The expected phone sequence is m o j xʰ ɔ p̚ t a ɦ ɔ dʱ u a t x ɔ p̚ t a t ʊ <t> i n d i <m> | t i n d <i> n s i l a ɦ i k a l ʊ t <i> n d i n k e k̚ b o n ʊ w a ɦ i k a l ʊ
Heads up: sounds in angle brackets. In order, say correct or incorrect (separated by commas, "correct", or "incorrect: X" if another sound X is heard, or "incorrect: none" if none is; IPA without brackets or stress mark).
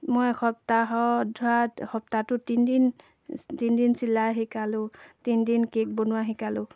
correct, incorrect: n, correct, correct